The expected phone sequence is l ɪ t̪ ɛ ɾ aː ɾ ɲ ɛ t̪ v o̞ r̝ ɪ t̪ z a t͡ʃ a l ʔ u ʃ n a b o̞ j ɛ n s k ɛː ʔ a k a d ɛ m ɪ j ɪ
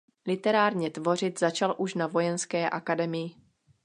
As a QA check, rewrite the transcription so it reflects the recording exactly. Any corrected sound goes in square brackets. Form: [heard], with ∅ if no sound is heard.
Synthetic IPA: l ɪ t̪ ɛ ɾ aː ɾ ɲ ɛ t̪ v o̞ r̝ ɪ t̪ z a t͡ʃ a l ʔ u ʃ n a [v] o̞ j ɛ n s k ɛː ʔ a k a d ɛ m ɪ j ɪ

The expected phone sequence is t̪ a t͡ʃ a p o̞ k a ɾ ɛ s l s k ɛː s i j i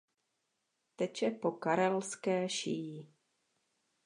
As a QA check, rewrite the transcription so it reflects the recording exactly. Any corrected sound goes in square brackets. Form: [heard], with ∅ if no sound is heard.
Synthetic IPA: t̪ [ɛ] t͡ʃ [ɛ] p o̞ k a ɾ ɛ [∅] l s k ɛː [ʃ] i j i

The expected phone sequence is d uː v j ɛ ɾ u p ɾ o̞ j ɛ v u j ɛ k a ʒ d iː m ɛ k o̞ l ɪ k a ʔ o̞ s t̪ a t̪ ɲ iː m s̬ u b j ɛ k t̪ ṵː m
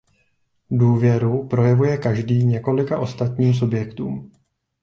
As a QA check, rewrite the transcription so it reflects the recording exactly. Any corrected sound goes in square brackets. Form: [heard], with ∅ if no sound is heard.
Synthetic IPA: d uː v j ɛ ɾ u p ɾ o̞ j ɛ v u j ɛ k a ʒ d iː [ɲ] ɛ k o̞ l ɪ k a ʔ o̞ s t̪ a t̪ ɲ iː m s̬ u b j ɛ k t̪ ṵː m

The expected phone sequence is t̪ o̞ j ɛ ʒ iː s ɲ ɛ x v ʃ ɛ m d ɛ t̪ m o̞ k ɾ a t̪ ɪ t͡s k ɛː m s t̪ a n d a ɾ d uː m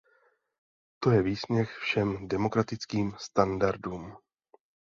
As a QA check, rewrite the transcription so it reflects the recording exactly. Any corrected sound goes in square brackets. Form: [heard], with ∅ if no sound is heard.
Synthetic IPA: t̪ o̞ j ɛ [v] iː s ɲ ɛ x [f] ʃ ɛ m d ɛ [∅] m o̞ k ɾ a t̪ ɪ t͡s k [iː] m s t̪ a n d a ɾ d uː m

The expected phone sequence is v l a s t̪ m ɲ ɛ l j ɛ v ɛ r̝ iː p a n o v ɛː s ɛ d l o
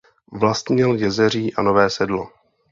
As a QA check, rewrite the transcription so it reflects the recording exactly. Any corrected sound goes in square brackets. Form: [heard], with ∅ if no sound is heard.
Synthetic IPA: v l a s t̪ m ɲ ɛ l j ɛ [z] ɛ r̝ iː [ʔ] a n o v ɛː s ɛ d l o

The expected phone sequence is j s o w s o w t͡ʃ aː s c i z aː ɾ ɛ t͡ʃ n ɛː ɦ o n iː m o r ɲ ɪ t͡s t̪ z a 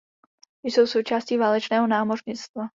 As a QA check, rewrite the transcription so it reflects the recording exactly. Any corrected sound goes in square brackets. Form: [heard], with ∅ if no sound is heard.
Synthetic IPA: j s o w s o w t͡ʃ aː s c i [v] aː [l] ɛ t͡ʃ n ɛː ɦ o n [aː] m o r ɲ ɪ t͡s t̪ [v] a

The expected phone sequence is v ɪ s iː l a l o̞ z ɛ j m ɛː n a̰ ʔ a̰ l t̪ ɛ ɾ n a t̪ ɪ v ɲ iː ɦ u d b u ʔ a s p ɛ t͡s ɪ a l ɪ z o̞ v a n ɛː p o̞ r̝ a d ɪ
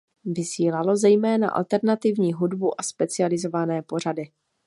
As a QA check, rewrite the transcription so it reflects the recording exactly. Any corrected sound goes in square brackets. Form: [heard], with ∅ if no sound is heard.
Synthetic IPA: v ɪ s iː l a l o̞ z ɛ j m ɛː n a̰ ʔ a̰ l t̪ ɛ ɾ n a t̪ ɪ v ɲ iː ɦ u d b u ʔ a s p ɛ t͡s ɪ a l ɪ z o̞ v a n ɛː p o̞ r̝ a d ɪ

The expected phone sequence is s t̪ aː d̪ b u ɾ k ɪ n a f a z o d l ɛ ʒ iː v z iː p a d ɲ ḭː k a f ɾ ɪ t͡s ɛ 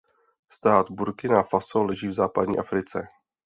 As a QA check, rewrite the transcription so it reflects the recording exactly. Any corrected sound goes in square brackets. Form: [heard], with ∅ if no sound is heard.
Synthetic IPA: s t̪ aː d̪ b u ɾ k ɪ n a f a [s] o [∅] l ɛ ʒ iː v z [aː] p a d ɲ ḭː [ʔ] a f ɾ ɪ t͡s ɛ

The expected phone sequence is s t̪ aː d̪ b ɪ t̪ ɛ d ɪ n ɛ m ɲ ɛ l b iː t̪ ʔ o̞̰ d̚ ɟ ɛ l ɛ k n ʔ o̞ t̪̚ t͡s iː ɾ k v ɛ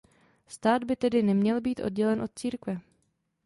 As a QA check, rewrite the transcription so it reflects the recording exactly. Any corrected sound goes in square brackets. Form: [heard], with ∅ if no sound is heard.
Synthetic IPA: s t̪ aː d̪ b ɪ t̪ ɛ d ɪ n ɛ m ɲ ɛ l b iː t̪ ʔ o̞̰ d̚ ɟ ɛ l ɛ [∅] n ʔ o̞ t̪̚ t͡s iː ɾ k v ɛ

